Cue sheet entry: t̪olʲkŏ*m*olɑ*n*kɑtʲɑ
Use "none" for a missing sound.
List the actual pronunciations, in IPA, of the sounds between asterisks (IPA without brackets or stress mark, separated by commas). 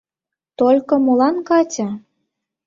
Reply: m, n